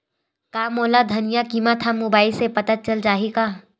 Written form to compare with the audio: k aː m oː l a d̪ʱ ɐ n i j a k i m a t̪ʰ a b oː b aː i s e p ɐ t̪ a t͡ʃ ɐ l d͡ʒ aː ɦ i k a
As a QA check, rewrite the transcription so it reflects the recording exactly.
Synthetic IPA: k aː m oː l a d̪ʱ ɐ n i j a k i m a t̪ʰ a m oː b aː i s e p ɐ t̪ a t͡ʃ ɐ l d͡ʒ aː ɦ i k a